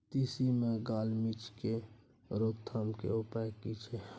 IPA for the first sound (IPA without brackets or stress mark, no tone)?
t̪